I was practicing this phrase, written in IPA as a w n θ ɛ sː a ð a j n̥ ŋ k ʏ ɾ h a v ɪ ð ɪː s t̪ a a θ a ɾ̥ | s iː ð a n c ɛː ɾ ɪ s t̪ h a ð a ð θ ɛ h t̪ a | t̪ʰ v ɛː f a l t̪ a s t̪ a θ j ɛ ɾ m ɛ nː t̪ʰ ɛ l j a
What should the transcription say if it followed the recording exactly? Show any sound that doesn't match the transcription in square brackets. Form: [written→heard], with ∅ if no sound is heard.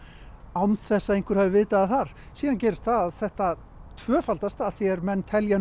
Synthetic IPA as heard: a w n θ ɛ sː a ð [a→e] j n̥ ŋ k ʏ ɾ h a v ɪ [ð→v] ɪː [s→∅] t̪ a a θ a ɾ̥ | s iː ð a n c ɛː ɾ ɪ s t̪ [h→θ] a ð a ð θ ɛ h t̪ a | t̪ʰ v [ɛː→œː] f a l t̪ a s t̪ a θ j ɛ ɾ m ɛ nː t̪ʰ ɛ l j a